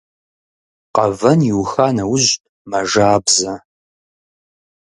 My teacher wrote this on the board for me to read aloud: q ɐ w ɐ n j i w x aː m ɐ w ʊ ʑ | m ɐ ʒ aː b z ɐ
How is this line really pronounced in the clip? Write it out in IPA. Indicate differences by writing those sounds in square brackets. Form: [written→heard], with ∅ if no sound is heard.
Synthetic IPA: q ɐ [w→v] ɐ n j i w x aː [m→n] ɐ w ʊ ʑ | m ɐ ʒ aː b z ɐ